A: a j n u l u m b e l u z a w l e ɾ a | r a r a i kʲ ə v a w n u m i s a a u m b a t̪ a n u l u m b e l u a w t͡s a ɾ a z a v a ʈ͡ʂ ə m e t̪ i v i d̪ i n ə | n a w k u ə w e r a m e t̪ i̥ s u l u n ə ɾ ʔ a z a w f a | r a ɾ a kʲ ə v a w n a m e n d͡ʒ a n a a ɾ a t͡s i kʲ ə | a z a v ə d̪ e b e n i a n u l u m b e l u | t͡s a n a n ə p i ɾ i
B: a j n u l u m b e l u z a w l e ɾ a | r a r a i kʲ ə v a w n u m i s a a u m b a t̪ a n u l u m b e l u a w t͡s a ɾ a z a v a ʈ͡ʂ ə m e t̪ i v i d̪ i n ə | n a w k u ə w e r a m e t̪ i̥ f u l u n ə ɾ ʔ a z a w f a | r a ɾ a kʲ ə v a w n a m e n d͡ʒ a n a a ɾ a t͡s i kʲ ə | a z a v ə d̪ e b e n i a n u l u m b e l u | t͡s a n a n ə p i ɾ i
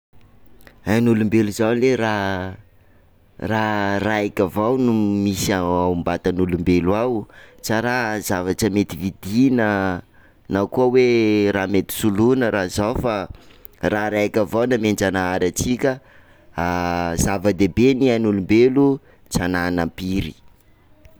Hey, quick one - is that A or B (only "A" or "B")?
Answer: A